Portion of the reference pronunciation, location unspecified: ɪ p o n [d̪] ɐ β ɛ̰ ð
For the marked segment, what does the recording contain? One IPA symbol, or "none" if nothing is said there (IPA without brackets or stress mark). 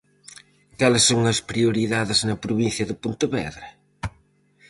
t̪